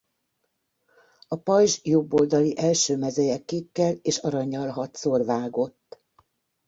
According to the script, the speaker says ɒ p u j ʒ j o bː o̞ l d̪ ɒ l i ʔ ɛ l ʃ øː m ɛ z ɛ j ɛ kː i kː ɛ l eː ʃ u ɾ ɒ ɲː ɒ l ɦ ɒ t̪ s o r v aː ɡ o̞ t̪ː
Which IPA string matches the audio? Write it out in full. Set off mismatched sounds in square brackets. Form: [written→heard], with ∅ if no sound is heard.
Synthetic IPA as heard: ɒ p [u→ɒ] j ʒ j o bː o̞ l d̪ ɒ l i ʔ ɛ l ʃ øː m ɛ z ɛ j ɛ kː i kː ɛ l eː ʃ [u→ɒ] ɾ ɒ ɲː ɒ l ɦ ɒ t̪ s o r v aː ɡ o̞ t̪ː

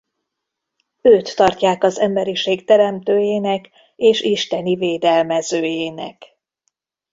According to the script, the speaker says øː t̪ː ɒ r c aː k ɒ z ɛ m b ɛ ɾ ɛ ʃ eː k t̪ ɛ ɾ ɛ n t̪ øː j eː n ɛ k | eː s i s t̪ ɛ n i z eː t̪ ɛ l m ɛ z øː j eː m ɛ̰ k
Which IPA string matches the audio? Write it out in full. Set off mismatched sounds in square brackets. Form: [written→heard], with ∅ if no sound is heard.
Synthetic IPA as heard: øː t̪ː ɒ r c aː k ɒ z ɛ m b ɛ ɾ [ɛ→i] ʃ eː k t̪ ɛ ɾ ɛ [n→m] t̪ øː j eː n ɛ k | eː [s→ʃ] i [s→ʃ] t̪ ɛ n i [z→v] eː [t̪→d̪] ɛ l m ɛ z øː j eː [m→n] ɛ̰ k

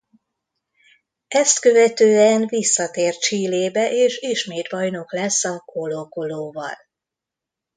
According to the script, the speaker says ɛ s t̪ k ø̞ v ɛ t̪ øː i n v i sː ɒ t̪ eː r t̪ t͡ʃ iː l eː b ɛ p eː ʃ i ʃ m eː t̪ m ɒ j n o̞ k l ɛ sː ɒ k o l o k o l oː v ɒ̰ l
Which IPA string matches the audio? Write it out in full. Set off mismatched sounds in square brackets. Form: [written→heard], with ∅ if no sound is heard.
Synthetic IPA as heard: ɛ s t̪ k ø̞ v ɛ t̪ øː [i→ɛ] n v i sː ɒ t̪ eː r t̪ t͡ʃ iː l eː b ɛ [p→ʔ] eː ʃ i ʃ m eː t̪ [m→b] ɒ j n o̞ k l ɛ sː ɒ k o l o k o l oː v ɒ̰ l

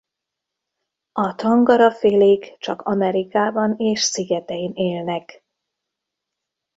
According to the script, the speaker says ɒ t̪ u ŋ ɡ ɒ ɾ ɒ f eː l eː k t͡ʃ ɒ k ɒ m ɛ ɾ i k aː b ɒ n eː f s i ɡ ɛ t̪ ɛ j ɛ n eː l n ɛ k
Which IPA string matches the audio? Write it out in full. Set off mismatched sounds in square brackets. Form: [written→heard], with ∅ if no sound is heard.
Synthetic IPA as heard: ɒ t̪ [u→ɒ] ŋ ɡ ɒ ɾ ɒ f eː l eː k t͡ʃ ɒ k ɒ m ɛ ɾ i k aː b ɒ n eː [f→ʃ] s i ɡ ɛ t̪ ɛ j [ɛ→i] n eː l n ɛ k

